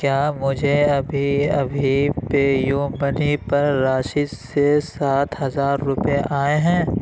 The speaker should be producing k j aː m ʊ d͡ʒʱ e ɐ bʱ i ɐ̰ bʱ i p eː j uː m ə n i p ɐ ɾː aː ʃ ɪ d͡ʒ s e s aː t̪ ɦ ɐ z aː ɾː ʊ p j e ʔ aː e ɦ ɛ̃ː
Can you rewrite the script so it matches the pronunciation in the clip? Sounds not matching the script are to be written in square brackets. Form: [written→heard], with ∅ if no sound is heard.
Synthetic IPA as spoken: k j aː m ʊ d͡ʒʱ e ɐ bʱ i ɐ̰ bʱ i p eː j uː m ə n i p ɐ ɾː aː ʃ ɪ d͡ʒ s e s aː t̪ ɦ ɐ z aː ɾː ʊ p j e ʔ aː e ɦ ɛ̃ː